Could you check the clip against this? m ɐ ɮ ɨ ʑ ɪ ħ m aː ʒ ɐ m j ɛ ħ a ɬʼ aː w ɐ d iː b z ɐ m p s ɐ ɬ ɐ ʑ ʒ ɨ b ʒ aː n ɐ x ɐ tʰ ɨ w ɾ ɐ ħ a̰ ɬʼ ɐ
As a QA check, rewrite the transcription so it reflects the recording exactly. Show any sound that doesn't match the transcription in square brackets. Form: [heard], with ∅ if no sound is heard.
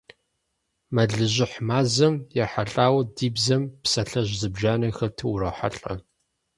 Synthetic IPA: m ɐ ɮ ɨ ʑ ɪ ħ m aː [z] ɐ m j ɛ ħ a ɬʼ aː w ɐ d iː b z ɐ m p s ɐ ɬ ɐ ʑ [z] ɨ b ʒ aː n ɐ x ɐ tʰ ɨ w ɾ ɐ ħ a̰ ɬʼ ɐ